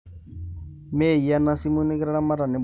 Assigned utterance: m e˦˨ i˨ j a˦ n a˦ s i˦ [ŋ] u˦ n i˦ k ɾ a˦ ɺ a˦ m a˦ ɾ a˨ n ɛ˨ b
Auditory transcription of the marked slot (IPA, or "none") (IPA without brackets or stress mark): m